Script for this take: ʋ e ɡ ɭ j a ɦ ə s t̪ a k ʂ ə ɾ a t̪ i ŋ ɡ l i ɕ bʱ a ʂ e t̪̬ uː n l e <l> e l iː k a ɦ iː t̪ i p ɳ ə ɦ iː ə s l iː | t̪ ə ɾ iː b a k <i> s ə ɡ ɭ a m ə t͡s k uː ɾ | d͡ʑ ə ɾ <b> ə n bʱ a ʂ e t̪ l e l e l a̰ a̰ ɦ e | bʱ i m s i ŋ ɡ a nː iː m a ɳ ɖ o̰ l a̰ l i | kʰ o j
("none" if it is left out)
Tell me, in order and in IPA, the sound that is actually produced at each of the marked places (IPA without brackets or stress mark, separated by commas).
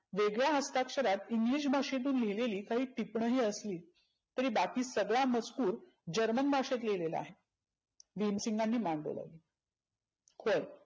l, iː, m